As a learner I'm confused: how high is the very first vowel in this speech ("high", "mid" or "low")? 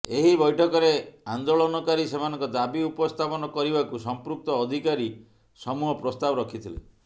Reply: mid